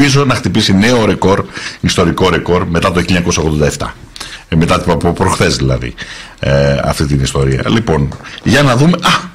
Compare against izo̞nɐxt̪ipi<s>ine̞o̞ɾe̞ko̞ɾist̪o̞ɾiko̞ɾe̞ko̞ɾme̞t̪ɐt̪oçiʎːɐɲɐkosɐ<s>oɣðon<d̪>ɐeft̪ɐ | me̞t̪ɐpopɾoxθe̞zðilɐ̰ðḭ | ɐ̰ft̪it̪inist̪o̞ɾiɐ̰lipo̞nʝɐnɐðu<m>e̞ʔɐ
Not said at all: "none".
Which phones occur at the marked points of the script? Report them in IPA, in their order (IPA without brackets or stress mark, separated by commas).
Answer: s, none, d̪, m